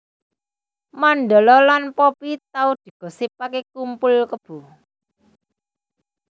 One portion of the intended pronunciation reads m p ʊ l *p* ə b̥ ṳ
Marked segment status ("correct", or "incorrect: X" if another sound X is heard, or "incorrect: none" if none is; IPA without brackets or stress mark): incorrect: k